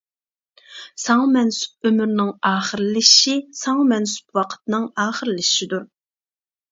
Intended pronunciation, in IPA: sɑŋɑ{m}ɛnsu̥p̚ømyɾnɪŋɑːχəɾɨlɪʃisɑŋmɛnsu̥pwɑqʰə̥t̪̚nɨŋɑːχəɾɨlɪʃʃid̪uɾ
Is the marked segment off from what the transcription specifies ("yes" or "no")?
no